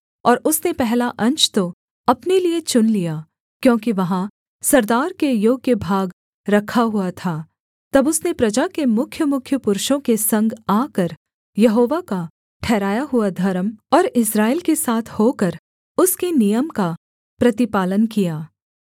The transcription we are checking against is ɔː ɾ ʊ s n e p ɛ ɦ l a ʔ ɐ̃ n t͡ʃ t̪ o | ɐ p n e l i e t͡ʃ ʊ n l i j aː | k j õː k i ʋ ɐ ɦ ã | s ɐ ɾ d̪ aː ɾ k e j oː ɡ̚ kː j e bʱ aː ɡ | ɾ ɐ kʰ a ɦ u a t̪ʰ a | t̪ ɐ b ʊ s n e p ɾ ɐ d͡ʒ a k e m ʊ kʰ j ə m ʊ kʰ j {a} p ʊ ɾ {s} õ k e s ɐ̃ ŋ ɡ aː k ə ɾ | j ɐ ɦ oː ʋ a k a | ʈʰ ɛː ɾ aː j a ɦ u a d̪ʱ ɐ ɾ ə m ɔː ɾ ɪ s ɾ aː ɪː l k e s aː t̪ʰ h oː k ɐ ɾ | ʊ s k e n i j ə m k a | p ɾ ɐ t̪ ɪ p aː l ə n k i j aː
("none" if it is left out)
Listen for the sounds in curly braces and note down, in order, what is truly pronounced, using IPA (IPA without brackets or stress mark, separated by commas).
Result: ə, ʃ